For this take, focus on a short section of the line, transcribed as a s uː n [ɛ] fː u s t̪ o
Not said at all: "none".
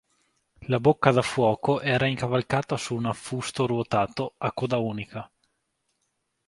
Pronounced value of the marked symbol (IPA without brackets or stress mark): a